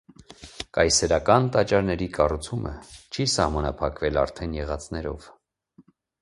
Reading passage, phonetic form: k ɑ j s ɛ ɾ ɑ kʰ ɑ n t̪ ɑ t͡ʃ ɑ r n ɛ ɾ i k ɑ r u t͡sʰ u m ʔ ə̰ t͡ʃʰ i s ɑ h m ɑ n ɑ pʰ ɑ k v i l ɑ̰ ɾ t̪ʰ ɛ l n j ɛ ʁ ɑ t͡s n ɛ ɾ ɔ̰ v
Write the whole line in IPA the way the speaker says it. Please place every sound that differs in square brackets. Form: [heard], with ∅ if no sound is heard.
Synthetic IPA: k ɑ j s ɛ ɾ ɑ [k] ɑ n t̪ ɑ t͡ʃ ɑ [ɾ] n ɛ ɾ i k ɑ r u t͡sʰ u m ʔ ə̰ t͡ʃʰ i s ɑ h m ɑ n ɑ pʰ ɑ k v [ɛ] l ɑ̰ ɾ t̪ʰ ɛ [∅] n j ɛ ʁ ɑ t͡s n ɛ ɾ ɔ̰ v